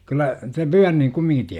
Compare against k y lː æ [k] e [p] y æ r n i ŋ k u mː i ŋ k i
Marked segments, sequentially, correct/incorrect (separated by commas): incorrect, correct